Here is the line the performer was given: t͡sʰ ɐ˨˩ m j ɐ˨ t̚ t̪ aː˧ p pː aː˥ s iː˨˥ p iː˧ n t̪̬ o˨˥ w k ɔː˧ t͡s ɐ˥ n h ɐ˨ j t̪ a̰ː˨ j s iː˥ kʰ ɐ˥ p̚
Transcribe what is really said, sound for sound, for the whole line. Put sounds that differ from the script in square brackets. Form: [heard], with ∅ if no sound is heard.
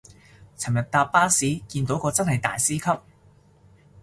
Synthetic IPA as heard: t͡sʰ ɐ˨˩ m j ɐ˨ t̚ t̪ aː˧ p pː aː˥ s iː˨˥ [k] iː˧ n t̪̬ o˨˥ w k ɔː˧ t͡s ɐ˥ n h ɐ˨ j t̪ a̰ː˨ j s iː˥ kʰ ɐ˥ p̚